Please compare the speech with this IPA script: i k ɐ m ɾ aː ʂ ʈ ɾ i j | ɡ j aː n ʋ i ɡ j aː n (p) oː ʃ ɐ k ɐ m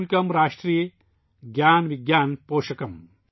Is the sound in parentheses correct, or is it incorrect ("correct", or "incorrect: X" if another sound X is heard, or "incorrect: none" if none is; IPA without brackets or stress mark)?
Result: correct